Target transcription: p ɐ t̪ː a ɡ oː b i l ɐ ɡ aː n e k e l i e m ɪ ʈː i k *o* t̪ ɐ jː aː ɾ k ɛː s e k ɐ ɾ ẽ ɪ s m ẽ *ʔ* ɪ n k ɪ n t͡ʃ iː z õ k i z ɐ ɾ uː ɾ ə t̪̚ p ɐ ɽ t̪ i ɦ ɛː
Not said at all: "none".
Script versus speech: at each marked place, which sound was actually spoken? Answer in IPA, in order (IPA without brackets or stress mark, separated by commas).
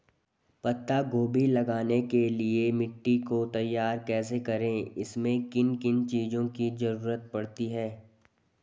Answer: o, k